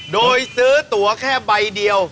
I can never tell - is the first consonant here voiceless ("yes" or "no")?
no